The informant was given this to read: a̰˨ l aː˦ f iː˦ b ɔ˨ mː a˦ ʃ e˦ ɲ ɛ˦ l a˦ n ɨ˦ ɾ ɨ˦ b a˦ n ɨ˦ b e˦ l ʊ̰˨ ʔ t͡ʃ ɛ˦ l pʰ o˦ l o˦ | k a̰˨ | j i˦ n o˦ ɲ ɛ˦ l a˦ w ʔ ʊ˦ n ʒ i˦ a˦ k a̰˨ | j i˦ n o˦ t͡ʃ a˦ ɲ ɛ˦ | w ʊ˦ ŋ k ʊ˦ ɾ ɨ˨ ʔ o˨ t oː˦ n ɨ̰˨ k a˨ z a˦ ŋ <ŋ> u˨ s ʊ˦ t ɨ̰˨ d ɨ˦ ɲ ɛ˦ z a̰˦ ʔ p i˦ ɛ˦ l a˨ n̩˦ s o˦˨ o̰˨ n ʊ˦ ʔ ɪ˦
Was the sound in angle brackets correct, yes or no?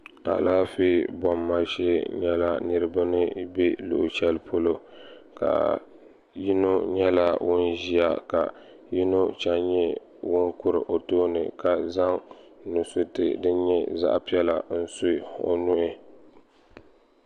no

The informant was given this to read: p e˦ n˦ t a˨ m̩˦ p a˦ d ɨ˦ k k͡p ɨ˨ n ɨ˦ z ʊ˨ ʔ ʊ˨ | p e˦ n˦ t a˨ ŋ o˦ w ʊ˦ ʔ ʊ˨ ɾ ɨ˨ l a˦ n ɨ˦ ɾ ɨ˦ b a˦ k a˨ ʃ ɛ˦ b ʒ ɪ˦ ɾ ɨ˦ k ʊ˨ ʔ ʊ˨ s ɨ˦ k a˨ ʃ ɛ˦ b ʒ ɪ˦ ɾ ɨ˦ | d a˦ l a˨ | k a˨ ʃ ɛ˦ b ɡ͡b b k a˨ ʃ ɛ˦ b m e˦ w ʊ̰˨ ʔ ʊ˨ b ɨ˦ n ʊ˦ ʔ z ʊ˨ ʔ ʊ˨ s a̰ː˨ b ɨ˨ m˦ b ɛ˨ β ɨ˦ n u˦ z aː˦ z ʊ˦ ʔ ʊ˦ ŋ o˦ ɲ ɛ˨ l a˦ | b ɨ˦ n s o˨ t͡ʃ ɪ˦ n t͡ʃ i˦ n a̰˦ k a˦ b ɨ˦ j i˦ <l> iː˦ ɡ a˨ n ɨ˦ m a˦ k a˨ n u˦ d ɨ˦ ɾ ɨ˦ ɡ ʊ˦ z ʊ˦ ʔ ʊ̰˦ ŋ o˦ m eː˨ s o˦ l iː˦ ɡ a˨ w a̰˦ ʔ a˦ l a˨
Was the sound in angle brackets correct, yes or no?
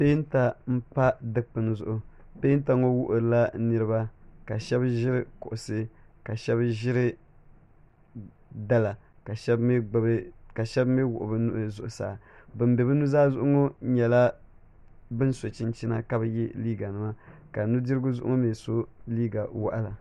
yes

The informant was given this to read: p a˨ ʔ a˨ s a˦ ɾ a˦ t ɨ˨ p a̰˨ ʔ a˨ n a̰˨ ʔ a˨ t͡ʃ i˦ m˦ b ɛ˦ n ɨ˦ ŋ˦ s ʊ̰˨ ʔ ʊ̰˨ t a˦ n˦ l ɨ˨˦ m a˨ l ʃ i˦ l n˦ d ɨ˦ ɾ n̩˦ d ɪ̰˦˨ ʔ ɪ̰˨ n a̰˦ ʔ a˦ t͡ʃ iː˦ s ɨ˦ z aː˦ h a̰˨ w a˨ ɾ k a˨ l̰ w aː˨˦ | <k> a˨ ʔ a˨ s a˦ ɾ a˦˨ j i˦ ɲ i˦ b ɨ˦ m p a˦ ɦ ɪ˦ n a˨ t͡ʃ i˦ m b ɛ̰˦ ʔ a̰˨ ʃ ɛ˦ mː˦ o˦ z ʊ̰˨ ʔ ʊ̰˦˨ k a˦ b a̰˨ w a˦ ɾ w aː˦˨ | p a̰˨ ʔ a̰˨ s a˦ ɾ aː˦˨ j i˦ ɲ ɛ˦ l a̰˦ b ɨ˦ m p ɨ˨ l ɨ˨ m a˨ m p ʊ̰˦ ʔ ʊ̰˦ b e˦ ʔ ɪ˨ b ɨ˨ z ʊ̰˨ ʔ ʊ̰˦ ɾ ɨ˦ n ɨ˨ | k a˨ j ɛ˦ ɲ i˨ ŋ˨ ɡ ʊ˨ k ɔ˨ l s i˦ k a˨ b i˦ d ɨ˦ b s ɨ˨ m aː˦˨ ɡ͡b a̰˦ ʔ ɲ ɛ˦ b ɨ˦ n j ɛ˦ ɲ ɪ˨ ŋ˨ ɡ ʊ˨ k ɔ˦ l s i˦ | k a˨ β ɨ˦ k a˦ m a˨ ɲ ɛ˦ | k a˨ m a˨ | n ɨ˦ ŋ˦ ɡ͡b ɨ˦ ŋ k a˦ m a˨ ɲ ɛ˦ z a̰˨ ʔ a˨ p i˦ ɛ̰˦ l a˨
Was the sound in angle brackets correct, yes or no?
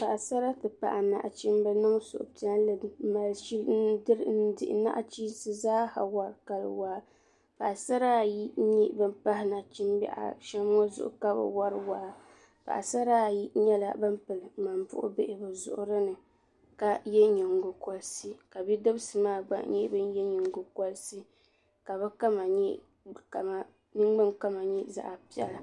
no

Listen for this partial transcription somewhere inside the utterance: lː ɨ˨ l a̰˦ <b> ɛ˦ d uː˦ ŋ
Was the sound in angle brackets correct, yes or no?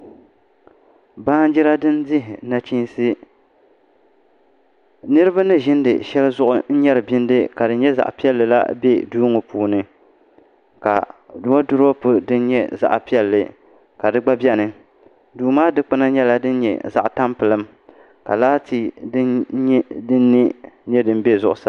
yes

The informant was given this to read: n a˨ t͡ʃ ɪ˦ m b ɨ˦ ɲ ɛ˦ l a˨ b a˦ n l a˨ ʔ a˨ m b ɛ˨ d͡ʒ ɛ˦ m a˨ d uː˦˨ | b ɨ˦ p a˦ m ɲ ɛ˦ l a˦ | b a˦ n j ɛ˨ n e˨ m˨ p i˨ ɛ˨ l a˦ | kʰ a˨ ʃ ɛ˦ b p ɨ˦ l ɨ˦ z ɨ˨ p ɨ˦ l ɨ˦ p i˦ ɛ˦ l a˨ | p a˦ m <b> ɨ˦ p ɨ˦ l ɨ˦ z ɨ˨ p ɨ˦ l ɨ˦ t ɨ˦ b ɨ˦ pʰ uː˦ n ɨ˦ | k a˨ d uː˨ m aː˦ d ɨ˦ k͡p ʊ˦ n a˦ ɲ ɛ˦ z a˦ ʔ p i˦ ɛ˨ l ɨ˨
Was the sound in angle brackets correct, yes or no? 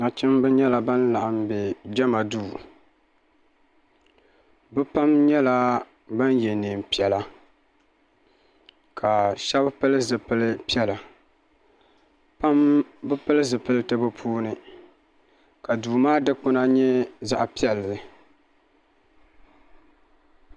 yes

